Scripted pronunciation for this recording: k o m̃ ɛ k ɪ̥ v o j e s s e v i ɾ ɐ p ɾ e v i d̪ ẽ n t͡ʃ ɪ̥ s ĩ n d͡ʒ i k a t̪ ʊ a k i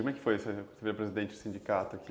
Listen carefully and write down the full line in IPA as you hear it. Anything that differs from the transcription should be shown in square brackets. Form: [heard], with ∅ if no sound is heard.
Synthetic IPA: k o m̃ ɛ k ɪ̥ [f] o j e s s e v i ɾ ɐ p ɾ e [z] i d̪ ẽ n t͡ʃ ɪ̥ s ĩ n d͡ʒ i k a t̪ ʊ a k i